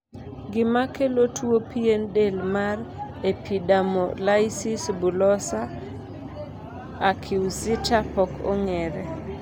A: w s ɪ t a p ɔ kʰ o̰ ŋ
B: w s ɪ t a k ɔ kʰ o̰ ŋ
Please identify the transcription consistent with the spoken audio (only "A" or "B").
A